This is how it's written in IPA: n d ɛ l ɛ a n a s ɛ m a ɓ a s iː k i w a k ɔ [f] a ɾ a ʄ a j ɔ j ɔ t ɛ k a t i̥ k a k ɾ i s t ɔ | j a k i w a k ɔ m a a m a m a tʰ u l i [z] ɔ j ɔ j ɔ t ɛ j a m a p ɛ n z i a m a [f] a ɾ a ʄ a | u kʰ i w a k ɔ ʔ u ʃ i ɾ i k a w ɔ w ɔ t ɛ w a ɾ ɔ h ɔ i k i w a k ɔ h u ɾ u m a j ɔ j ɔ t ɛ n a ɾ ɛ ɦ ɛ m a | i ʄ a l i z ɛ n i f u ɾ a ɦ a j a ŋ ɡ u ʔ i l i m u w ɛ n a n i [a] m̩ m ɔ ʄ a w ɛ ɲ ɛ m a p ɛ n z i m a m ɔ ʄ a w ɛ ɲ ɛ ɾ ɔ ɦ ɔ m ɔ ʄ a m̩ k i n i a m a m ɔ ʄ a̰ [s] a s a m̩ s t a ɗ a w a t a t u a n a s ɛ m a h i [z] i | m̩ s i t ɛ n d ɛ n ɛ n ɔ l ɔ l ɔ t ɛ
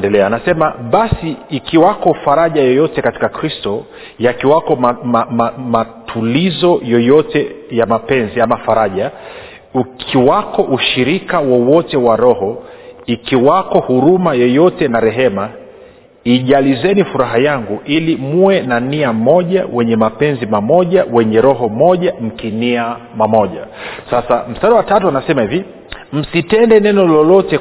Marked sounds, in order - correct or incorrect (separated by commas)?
correct, correct, correct, correct, correct, incorrect